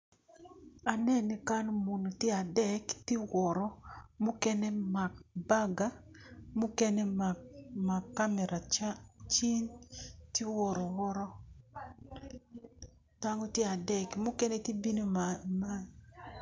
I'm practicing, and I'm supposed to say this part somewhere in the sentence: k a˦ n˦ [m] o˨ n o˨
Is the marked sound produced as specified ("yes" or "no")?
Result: yes